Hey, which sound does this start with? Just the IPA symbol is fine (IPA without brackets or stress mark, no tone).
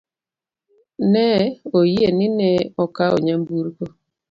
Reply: n